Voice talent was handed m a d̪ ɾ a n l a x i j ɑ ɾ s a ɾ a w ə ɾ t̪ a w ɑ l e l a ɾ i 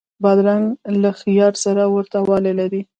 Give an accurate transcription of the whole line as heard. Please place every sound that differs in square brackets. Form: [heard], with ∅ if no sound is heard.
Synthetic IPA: [b] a d̪ ɾ a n l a x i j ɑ ɾ s a ɾ a w ə ɾ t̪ a w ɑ l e l a ɾ i